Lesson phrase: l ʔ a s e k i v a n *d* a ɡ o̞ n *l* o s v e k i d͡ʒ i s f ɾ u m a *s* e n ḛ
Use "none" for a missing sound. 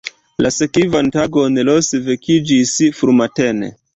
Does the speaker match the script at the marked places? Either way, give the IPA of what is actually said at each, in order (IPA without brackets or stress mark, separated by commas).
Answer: t, l, t